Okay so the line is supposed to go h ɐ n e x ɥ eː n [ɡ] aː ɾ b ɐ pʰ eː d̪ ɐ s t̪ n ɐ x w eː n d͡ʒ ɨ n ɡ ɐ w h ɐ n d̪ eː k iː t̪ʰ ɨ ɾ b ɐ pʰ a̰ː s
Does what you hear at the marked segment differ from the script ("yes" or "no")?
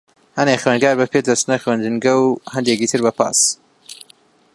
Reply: no